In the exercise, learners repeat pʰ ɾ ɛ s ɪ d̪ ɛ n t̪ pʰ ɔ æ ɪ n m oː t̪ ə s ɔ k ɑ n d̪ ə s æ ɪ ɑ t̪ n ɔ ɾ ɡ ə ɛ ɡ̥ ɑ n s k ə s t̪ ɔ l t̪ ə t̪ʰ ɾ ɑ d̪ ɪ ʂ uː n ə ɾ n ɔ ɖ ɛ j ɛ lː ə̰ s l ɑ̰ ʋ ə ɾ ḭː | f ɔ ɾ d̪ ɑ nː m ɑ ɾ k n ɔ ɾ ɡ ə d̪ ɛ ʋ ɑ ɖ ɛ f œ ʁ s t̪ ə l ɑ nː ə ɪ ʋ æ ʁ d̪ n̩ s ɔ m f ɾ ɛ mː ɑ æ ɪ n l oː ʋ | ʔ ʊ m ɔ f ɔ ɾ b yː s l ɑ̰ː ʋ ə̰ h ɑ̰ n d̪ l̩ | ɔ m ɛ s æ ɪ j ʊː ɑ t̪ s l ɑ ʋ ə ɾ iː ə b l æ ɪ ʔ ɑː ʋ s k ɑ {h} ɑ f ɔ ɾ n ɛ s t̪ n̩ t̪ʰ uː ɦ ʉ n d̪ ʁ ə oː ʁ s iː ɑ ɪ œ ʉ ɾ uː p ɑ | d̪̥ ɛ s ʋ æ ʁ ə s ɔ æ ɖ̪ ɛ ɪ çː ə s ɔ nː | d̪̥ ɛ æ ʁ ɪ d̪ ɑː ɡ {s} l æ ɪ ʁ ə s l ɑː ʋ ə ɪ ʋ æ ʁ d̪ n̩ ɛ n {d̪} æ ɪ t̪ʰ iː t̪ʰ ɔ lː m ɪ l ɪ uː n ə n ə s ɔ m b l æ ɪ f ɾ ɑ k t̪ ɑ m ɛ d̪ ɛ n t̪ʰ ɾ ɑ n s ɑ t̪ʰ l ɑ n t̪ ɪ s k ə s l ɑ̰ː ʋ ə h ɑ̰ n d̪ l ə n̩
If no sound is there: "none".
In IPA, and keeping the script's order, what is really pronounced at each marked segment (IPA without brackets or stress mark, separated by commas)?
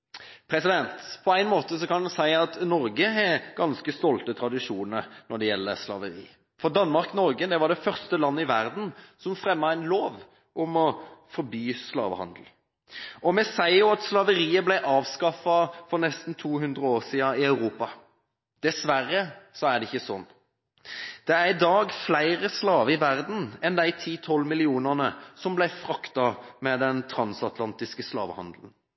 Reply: f, f, d̪